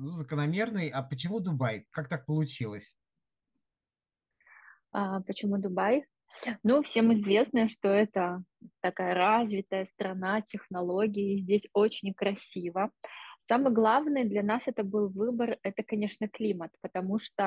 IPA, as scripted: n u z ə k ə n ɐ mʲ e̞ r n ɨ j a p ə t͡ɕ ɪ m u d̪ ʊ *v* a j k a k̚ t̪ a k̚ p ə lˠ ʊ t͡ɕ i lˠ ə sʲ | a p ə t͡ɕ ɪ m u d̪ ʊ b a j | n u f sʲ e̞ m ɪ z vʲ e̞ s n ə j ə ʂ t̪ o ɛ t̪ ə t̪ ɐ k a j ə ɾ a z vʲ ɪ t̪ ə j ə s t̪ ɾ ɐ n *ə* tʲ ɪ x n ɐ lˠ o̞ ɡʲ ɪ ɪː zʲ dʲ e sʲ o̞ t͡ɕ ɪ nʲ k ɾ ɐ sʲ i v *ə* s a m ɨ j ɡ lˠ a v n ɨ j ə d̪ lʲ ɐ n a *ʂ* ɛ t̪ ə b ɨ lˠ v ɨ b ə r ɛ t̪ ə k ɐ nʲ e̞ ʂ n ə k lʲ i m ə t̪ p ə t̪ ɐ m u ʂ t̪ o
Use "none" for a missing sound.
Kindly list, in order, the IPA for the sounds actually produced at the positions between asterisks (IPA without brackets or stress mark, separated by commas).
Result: b, a, ə, s